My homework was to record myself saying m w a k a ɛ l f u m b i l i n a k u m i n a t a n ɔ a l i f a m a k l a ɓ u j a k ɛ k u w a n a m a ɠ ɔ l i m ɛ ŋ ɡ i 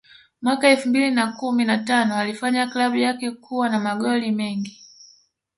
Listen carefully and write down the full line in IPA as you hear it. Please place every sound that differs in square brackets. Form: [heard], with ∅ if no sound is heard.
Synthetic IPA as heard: m w a k a ɛ l f u m b i l i n a k u m i n a t a n ɔ a l i f a [ɲ] a k l a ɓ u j a k ɛ k u w a n a m a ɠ ɔ l i m ɛ ŋ ɡ i